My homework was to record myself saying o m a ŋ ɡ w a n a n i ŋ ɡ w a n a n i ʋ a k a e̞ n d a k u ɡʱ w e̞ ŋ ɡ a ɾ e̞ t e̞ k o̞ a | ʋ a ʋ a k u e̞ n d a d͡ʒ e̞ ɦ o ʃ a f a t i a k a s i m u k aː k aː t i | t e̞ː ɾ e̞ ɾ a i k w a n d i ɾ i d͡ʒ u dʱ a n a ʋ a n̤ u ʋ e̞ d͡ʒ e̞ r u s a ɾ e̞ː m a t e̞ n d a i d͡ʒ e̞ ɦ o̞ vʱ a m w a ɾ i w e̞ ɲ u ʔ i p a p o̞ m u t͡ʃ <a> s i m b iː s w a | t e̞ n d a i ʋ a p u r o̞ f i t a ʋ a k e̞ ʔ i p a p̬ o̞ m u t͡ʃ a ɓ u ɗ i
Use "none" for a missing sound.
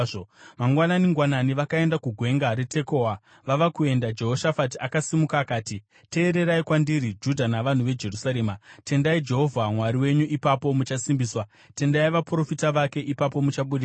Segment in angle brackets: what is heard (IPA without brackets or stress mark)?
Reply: a